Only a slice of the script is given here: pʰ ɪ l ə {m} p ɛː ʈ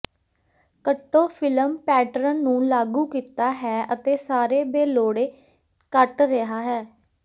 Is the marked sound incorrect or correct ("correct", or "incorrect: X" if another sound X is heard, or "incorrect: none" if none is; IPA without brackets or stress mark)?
correct